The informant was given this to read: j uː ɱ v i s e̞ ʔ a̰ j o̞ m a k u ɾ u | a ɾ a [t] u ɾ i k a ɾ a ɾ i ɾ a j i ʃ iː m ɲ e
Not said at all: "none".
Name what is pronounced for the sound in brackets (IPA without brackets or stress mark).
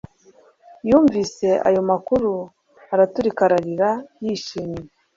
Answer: t